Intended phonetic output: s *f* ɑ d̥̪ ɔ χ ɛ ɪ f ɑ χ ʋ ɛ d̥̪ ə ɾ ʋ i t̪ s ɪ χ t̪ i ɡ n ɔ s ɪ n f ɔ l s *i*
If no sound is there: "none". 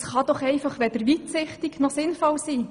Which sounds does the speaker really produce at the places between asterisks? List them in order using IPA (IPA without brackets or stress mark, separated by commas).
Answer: χ, iː